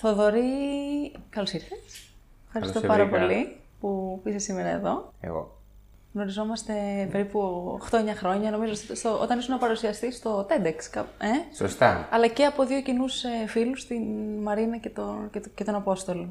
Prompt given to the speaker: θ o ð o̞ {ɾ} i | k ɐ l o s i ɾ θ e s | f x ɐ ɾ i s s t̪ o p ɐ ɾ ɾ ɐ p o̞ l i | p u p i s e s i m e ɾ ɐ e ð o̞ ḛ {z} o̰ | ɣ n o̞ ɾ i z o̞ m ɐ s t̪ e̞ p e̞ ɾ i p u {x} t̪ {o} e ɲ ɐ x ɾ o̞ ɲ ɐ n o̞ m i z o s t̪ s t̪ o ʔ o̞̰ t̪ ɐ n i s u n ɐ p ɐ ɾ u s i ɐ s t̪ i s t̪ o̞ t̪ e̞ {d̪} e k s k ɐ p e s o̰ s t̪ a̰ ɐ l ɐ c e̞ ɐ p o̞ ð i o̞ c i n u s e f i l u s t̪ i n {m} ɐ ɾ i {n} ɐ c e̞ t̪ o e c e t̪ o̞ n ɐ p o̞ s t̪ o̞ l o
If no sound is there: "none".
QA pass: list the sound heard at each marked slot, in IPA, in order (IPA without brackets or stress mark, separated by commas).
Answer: ɾ, ɣ, x, o, d̪, m, n